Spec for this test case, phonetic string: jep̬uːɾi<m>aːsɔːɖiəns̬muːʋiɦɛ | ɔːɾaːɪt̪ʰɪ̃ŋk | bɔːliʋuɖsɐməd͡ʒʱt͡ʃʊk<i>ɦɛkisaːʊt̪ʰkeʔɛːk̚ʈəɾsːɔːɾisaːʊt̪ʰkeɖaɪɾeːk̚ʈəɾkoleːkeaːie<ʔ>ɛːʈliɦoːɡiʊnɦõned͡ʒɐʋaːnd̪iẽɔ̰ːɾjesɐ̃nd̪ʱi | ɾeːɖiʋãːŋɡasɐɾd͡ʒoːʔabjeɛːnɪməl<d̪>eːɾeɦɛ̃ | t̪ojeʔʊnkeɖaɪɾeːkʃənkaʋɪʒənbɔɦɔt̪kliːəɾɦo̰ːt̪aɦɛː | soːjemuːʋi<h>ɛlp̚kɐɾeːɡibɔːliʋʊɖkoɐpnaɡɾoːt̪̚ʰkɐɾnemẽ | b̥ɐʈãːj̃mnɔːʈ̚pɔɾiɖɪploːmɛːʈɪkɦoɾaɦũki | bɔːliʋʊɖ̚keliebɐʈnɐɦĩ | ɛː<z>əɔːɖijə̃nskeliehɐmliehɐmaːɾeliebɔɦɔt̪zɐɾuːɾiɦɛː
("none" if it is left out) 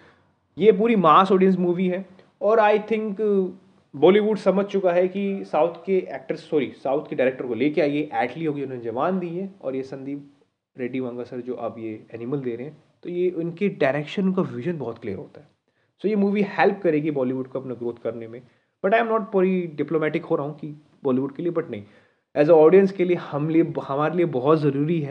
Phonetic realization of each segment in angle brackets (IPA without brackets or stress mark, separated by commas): m, a, ʔ, d̪, h, z